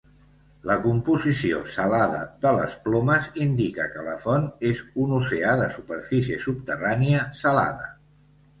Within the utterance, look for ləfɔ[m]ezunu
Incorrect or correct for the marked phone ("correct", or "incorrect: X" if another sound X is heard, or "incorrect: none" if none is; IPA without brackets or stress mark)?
incorrect: n